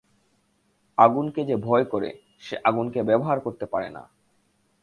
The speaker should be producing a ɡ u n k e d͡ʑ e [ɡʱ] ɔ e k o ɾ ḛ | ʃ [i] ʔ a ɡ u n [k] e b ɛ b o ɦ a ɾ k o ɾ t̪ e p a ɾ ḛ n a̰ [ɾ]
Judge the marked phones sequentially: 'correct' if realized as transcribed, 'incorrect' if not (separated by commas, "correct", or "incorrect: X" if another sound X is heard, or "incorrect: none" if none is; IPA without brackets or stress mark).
incorrect: bʱ, incorrect: e, correct, incorrect: none